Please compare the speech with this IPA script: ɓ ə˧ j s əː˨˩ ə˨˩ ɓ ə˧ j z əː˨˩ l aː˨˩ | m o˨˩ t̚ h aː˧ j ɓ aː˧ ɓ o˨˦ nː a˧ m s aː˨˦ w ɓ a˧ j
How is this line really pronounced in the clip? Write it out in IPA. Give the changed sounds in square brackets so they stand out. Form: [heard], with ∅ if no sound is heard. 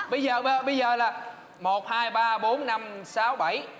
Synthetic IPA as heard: ɓ ə˧ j [z] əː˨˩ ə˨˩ ɓ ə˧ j z əː˨˩ l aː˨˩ | m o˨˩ t̚ h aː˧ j ɓ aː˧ ɓ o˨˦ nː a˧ m s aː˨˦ w ɓ [a˧˩] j